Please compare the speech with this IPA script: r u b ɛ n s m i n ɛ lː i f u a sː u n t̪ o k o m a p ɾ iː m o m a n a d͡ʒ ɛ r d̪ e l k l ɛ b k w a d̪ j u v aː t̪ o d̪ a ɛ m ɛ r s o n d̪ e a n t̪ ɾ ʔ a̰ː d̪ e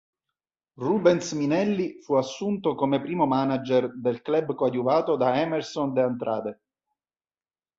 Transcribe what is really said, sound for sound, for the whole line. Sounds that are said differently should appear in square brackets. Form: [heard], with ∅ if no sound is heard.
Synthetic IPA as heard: r u b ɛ n s m i n ɛ lː i f u a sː u n t̪ o k o m [e] p ɾ iː m o m a n a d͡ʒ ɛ r d̪ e l k l ɛ b k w a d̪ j u v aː t̪ o d̪ a ɛ m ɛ r s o n d̪ e a n t̪ ɾ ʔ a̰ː d̪ e